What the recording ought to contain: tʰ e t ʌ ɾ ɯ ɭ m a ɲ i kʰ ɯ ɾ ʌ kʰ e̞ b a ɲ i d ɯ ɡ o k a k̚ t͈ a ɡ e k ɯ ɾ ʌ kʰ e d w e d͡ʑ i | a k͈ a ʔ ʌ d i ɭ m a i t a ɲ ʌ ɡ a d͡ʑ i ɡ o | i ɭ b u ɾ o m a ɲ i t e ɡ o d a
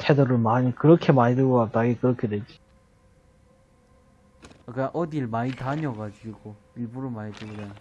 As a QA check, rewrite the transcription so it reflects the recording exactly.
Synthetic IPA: tʰ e d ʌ ɾ ɯ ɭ m a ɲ i k ɯ ɾ ʌ kʰ e̞ m a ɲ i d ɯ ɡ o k a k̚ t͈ a ɡ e k ɯ ɾ ʌ kʰ e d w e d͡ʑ i | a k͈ a ʔ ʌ d i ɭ m a i t a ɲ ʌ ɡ a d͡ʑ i ɡ o | i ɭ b u ɾ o m a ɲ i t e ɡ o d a